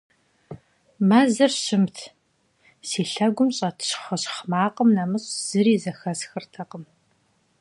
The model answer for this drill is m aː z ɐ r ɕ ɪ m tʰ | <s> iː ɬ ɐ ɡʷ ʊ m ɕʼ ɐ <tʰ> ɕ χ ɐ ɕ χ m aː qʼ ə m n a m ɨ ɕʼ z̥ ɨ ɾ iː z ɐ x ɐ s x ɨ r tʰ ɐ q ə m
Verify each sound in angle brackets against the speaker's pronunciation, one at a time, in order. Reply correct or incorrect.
correct, correct

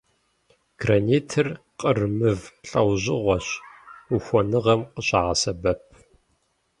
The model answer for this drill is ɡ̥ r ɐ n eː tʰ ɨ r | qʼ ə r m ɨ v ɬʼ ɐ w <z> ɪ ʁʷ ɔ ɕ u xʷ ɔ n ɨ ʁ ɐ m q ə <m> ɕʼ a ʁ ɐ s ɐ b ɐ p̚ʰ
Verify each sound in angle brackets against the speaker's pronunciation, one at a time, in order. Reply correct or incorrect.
incorrect: ʑ, incorrect: none

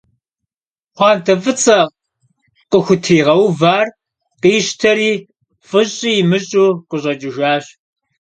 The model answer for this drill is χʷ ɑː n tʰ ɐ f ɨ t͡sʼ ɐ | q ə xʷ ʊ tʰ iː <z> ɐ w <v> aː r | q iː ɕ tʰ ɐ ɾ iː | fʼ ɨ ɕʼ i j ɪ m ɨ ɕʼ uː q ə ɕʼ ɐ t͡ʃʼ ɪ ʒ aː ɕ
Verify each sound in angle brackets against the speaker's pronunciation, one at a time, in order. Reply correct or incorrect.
incorrect: ʁ, correct

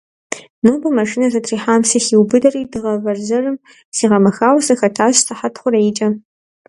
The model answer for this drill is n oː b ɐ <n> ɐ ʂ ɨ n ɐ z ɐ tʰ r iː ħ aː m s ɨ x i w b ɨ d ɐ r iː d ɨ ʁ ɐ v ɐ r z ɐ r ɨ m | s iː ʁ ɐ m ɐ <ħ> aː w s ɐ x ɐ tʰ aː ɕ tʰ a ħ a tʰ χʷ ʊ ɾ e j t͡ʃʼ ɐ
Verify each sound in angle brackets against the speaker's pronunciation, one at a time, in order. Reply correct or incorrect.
incorrect: m, incorrect: x

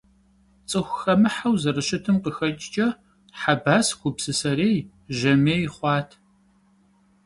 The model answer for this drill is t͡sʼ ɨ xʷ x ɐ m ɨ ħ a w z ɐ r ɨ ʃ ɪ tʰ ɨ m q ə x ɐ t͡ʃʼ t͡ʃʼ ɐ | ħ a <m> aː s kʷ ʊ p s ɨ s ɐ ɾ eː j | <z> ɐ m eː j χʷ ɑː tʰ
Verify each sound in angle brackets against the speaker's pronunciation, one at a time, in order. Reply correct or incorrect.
incorrect: b, incorrect: ʒ

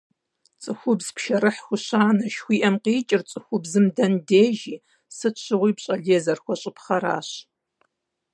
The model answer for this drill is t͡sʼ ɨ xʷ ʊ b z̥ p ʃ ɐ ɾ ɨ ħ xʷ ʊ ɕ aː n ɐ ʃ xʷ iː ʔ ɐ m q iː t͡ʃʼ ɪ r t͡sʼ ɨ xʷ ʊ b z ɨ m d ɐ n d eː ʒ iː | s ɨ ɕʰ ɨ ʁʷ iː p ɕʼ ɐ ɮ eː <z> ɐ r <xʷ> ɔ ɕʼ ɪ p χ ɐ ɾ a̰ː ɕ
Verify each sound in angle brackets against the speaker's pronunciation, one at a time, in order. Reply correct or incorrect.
correct, correct

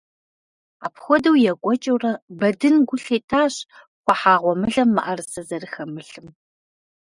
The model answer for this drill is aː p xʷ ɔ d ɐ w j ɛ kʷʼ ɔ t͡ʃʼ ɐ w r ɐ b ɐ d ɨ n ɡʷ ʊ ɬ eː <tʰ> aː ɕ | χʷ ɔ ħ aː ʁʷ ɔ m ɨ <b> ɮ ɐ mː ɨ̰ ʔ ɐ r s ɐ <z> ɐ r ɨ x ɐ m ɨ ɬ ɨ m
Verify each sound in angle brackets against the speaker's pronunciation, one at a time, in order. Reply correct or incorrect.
correct, incorrect: none, correct

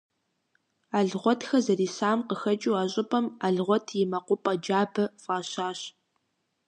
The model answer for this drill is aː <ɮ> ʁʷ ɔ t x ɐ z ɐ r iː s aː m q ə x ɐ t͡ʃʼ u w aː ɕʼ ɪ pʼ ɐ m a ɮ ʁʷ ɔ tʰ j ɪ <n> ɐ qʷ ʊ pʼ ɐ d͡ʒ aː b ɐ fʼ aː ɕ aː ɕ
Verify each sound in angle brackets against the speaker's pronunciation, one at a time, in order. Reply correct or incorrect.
correct, incorrect: m

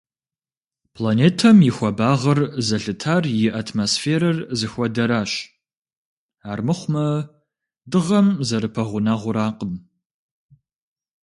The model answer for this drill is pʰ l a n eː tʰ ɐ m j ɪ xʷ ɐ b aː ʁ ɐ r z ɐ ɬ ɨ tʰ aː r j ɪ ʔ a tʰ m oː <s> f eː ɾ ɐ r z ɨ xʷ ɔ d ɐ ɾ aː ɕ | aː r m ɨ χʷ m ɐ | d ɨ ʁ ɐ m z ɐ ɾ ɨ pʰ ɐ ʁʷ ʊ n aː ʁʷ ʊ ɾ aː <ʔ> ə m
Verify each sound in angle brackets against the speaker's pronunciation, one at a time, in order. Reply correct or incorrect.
correct, incorrect: q

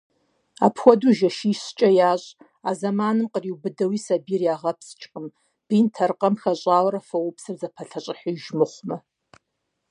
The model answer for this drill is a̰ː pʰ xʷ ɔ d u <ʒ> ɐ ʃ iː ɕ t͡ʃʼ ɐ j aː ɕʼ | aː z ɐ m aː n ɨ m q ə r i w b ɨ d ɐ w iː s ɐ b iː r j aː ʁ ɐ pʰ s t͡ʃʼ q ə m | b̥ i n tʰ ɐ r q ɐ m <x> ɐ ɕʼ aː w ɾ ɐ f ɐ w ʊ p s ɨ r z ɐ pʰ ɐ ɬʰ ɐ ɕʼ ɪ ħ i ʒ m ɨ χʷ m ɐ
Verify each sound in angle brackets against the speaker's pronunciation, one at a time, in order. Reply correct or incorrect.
correct, correct

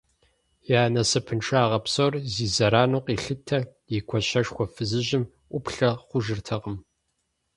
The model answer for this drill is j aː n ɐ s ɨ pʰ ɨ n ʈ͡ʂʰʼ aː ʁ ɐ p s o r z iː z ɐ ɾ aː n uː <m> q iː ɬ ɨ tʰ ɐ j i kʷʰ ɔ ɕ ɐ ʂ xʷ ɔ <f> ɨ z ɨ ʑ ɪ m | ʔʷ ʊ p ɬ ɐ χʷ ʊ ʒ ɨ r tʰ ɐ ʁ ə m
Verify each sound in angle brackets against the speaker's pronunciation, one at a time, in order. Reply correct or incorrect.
incorrect: none, correct

